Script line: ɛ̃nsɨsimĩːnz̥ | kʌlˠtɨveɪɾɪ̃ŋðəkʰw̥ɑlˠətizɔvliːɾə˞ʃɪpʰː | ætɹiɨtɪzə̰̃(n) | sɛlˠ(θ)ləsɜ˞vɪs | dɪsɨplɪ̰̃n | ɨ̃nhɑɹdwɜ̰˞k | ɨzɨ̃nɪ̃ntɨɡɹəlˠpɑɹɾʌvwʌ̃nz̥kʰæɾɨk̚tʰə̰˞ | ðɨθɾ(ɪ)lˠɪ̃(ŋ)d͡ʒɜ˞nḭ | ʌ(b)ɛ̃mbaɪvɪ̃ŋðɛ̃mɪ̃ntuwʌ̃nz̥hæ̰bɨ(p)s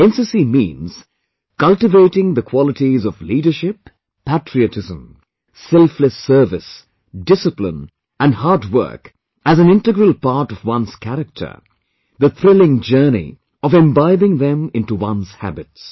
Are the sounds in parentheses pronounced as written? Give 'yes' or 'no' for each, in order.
no, no, yes, yes, no, no

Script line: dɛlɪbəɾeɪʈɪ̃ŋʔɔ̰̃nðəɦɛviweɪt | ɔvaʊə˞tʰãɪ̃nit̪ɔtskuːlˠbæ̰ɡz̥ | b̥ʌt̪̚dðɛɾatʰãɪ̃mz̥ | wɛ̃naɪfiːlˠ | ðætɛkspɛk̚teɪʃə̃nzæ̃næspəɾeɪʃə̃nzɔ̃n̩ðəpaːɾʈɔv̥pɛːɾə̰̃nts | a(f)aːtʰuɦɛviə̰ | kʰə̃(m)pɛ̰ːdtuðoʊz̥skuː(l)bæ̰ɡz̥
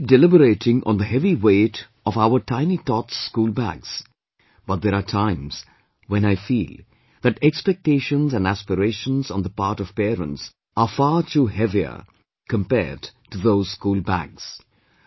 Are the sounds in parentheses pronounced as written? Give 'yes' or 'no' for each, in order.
yes, yes, yes

